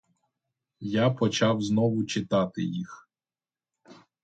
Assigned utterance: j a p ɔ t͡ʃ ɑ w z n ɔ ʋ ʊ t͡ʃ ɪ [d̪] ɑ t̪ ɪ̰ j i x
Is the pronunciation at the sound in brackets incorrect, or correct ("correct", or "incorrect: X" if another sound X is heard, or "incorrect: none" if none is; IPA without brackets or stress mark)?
incorrect: t̪